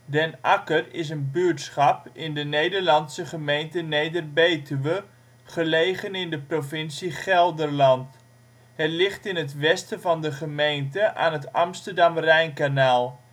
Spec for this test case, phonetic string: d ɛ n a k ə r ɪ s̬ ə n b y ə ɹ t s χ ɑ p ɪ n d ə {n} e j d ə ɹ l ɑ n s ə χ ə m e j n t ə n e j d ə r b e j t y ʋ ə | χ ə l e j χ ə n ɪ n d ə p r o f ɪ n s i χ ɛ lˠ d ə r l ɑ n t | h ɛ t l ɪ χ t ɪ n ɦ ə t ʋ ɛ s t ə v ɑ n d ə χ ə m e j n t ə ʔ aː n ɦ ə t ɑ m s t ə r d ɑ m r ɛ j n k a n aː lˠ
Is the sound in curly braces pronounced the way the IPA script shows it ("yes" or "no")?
yes